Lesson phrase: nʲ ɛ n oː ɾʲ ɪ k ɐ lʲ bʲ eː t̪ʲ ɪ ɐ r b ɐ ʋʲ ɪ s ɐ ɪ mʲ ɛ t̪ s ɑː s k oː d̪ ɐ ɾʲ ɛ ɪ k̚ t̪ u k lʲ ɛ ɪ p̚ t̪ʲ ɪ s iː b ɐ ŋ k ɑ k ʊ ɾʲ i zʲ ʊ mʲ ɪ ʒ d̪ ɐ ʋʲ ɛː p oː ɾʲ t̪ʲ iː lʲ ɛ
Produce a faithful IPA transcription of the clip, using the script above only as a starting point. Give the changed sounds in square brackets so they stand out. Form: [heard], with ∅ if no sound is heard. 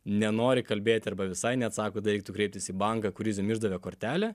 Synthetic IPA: nʲ ɛ n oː ɾʲ ɪ k ɐ lʲ bʲ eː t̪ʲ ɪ ɐ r b ɐ ʋʲ ɪ s ɐ ɪ [nʲ] ɛ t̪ s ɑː [∅] k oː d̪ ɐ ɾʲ ɛ ɪ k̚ t̪ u k [ɾʲ] ɛ ɪ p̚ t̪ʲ ɪ s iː b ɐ ŋ k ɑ k ʊ ɾʲ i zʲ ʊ mʲ ɪ ʒ d̪ ɐ ʋʲ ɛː [k] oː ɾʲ t̪ʲ [æː] lʲ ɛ